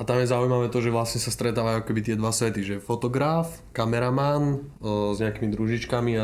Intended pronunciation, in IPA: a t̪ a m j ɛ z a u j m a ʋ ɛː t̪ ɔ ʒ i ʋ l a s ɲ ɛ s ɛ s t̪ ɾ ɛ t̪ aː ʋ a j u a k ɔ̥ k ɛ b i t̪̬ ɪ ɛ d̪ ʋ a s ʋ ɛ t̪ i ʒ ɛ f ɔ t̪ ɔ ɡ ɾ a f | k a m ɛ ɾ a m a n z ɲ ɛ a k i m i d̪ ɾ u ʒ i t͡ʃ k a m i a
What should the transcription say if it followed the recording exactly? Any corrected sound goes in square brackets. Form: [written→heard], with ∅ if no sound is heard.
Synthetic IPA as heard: a t̪ a m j ɛ z a u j m a ʋ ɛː t̪ ɔ ʒ [i→ɛ] ʋ l a s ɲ ɛ s [ɛ→a] s t̪ ɾ ɛ t̪ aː ʋ a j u a k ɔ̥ k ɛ b i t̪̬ ɪ ɛ d̪ ʋ a s ʋ ɛ t̪ i ʒ ɛ f ɔ t̪ ɔ ɡ ɾ a f | k a m ɛ ɾ a m a n z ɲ ɛ a k i m i d̪ ɾ u ʒ i t͡ʃ k a m i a